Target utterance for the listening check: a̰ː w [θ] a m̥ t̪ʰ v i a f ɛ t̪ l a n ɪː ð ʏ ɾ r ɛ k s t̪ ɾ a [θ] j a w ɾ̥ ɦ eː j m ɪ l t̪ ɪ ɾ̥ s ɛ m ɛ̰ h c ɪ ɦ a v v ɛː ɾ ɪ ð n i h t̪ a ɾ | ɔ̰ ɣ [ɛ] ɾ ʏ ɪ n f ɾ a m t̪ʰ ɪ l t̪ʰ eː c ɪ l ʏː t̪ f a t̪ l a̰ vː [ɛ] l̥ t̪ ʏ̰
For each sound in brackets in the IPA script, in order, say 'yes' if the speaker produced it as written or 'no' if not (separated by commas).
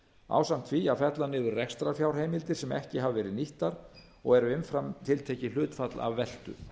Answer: no, no, yes, yes